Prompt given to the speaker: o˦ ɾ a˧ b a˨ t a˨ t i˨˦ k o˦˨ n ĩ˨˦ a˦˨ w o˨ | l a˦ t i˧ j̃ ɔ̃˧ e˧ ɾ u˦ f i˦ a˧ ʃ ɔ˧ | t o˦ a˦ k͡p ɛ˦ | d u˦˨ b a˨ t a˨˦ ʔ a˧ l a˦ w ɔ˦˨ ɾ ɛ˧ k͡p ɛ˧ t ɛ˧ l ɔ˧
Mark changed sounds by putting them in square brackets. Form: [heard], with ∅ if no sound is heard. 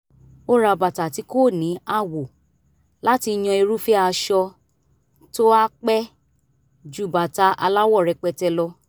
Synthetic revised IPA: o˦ ɾ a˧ b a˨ t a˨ t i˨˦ k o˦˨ n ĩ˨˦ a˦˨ w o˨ | l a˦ t i˧ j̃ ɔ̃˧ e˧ ɾ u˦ f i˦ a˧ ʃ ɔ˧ | t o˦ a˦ k͡p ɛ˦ | [d͡ʒ] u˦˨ b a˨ t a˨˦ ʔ a˧ l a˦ w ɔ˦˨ ɾ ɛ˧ k͡p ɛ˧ t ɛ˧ l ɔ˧